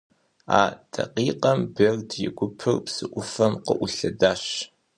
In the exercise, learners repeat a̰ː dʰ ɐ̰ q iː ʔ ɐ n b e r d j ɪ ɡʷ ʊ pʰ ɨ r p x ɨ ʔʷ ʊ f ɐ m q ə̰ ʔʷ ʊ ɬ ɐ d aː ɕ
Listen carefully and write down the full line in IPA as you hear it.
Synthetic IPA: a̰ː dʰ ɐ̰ q iː q ɐ m b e r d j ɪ ɡʷ ʊ pʰ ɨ r p s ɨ ʔʷ ʊ f ɐ m q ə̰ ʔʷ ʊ ɬ ɐ d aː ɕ